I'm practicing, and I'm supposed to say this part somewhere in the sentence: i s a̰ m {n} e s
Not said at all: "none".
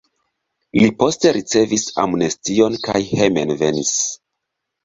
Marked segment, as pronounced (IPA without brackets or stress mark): n